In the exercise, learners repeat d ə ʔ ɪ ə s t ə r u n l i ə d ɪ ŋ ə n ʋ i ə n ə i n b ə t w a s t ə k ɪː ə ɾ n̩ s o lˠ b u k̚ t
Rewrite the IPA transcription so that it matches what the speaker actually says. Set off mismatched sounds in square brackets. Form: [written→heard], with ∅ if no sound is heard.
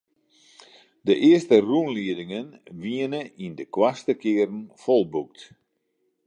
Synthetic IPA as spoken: d ə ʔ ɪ ə s t ə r u n l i ə d ɪ ŋ ə n ʋ i ə n ə i n [b→d] ə [t→k] w a s t ə k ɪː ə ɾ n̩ [s→f] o lˠ b u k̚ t